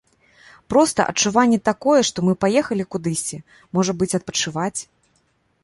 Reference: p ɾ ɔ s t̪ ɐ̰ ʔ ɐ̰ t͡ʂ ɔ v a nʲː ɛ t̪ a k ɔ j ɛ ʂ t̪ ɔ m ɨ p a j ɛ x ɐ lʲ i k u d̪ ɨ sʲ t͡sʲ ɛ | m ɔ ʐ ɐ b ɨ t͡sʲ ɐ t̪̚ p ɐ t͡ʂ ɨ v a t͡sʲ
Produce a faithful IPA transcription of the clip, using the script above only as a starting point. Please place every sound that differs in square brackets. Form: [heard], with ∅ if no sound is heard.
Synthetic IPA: p ɾ ɔ s t̪ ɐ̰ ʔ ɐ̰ t͡ʂ [u] v a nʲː ɛ t̪ a k ɔ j ɛ ʂ t̪ ɔ m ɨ p a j ɛ x ɐ lʲ i k u d̪ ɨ sʲ t͡sʲ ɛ | m ɔ ʐ ɐ b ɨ t͡sʲ ɐ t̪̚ p ɐ t͡ʂ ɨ v a t͡sʲ